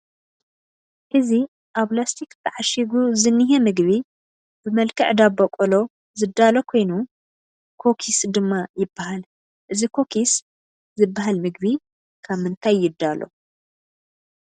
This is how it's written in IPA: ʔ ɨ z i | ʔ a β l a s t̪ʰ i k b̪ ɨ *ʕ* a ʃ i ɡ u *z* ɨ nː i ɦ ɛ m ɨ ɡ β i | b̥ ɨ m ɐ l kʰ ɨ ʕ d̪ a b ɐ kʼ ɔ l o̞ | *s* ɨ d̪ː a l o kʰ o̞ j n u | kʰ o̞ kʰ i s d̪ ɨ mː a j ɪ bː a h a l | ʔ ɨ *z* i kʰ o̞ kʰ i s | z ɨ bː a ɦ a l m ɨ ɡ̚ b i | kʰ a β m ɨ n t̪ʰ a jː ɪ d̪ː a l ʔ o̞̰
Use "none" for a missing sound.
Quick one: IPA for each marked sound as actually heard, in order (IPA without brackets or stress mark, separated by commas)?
ʕ, z, z, z